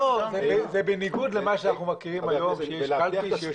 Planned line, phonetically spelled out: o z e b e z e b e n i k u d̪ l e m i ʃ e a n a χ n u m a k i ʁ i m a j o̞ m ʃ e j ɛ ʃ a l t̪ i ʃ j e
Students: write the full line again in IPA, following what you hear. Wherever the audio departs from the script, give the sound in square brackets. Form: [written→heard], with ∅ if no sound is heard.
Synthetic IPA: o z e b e z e b e n i [k→ɡ] u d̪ l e m [i→a] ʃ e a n a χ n u m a k i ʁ i m a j o̞ m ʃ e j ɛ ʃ a l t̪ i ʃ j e